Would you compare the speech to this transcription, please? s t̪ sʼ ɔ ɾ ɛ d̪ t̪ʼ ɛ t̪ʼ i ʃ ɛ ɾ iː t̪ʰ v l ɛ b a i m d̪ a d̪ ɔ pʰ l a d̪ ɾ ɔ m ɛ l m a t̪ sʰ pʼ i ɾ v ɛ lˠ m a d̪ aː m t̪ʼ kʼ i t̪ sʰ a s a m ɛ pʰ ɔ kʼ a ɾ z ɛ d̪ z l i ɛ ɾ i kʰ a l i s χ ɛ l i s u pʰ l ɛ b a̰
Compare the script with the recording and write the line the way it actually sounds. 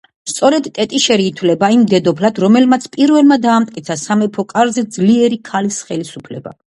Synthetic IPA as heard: s t̪ sʼ ɔ ɾ ɛ d̪ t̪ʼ ɛ t̪ʼ i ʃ ɛ ɾ iː t̪ʰ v l ɛ b a i m d̪ ɛ d̪ ɔ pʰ l a d̪ ɾ ɔ m ɛ l m a t̪ sʰ pʼ i ɾ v ɛ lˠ m a d̪ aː m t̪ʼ kʼ i t̪ sʰ a s a m ɛ pʰ ɔ kʼ a ɾ z ɛ d̪ z l i ɛ ɾ i kʰ a l i s χ ɛ l i s u pʰ l ɛ b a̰

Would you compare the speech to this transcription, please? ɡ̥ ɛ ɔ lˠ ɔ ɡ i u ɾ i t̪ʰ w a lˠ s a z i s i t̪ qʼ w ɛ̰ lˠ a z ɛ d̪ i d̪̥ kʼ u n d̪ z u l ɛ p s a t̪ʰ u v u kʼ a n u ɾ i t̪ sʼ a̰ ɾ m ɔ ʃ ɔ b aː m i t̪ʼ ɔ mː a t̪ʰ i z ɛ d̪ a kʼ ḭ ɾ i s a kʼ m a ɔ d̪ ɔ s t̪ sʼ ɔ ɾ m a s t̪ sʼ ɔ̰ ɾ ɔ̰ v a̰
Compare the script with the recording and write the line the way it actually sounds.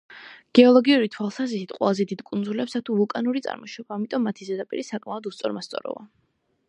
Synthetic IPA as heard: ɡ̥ ɛ ɔ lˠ ɔ ɡ i u ɾ i t̪ʰ w a lˠ s a z i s i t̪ qʼ w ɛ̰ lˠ a z ɛ d̪ i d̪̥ kʼ u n d̪ z u l ɛ p s a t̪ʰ u v u kʼ a n u ɾ i t̪ sʼ a̰ ɾ m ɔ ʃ ɔ b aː m i t̪ʼ ɔ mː a t̪ʰ i z ɛ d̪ a pʼ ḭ ɾ i s a kʼ m a ɔ d̪ u s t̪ sʼ ɔ ɾ m a s t̪ sʼ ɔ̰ ɾ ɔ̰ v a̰

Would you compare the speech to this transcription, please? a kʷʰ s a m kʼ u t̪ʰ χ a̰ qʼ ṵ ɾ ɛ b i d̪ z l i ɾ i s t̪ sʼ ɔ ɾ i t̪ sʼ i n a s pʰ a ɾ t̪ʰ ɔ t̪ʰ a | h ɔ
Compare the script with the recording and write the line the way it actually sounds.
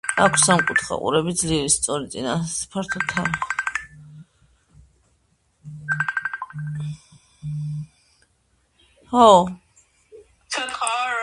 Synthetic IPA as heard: a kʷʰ s a m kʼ u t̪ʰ χ a̰ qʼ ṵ ɾ ɛ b i d̪ z l i ɾ i s t̪ sʼ ɔ ɾ i t̪ sʼ i n a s pʰ a ɾ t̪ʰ ɔ t̪ʰ a | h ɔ

